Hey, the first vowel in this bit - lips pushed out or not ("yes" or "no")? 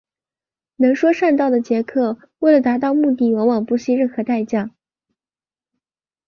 no